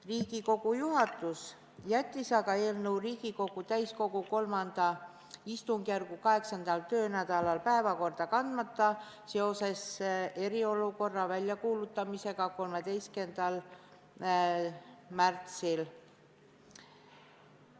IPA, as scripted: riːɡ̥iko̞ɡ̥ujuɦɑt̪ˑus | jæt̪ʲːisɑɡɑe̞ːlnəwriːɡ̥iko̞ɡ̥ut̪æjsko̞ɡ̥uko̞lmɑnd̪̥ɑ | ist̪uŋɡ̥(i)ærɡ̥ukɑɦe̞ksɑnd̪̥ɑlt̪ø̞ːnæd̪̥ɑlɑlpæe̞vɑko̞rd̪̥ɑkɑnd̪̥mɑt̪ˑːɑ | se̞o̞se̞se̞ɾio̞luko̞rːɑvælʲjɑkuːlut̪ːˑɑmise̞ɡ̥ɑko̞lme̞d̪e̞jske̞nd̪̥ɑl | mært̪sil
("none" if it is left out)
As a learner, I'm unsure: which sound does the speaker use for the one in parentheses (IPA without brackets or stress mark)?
j